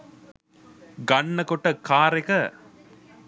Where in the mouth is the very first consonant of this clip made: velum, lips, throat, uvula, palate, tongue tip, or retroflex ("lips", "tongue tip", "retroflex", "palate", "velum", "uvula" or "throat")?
velum